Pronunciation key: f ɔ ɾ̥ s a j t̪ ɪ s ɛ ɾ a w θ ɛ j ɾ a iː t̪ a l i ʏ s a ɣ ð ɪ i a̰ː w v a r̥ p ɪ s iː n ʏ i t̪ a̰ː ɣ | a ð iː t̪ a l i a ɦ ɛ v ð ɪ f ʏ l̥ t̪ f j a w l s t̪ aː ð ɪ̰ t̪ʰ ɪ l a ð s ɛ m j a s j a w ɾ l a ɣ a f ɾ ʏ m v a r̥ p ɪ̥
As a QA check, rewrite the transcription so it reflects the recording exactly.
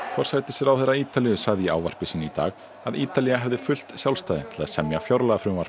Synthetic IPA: f ɔ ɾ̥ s a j t̪ ɪ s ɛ ɾ a w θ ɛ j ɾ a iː t̪ a l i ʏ s a ɣ ð ɪ i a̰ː w v a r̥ p ɪ s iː n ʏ i t̪ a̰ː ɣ | a ð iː t̪ a l i a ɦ ɛ v ð ɪ f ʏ l̥ t̪ s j a w l s t̪ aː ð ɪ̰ t̪ʰ ɪ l a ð s ɛ m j a f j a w ɾ l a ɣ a f ɾ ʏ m v a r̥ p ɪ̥